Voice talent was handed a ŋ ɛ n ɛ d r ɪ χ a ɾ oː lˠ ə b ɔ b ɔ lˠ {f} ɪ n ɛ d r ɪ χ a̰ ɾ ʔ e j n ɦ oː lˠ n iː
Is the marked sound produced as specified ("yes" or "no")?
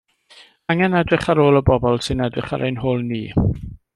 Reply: no